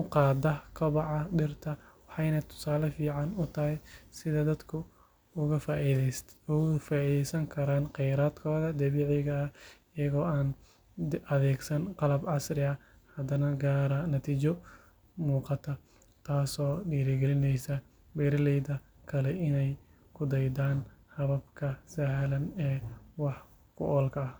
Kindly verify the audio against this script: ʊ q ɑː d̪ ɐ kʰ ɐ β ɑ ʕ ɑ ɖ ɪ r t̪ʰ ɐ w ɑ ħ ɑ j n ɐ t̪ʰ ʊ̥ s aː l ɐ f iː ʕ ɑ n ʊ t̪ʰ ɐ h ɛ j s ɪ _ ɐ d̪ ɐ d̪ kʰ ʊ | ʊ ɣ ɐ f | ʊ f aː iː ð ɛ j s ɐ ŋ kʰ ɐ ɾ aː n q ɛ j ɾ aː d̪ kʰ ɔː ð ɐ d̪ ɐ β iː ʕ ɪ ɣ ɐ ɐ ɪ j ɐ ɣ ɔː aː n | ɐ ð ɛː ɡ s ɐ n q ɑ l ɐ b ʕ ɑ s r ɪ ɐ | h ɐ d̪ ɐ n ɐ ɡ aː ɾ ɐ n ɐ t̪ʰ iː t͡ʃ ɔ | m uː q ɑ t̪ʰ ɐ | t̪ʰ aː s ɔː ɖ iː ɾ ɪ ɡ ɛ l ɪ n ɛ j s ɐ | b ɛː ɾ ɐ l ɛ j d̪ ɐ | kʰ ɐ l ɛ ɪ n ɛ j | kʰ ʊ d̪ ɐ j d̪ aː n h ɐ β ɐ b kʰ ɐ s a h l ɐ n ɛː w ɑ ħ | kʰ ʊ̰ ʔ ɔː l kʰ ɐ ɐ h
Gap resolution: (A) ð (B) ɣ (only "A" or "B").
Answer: A